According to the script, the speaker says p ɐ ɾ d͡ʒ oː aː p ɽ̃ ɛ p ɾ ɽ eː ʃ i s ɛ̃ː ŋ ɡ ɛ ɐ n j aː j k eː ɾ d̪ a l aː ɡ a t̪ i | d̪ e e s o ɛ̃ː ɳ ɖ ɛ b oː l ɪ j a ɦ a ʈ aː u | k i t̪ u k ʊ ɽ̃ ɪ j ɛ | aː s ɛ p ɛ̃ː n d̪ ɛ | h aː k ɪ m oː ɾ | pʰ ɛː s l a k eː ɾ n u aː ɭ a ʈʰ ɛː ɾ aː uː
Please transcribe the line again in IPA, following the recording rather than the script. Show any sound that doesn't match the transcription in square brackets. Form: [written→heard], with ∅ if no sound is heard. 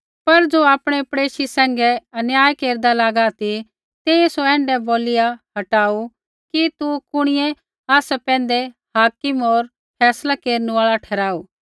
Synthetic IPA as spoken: p ɐ ɾ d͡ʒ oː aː p ɽ̃ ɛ p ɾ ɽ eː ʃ i s ɛ̃ː ŋ ɡ ɛ ɐ n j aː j k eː ɾ d̪ a l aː ɡ a t̪ i | [d̪→t̪] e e s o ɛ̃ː ɳ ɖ ɛ b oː l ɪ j a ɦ [a→ɐ] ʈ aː u | k i t̪ u k ʊ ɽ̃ ɪ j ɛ | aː s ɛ p ɛ̃ː n d̪ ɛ | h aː k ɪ m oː ɾ | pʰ ɛː s l a k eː ɾ n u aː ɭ a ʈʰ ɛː ɾ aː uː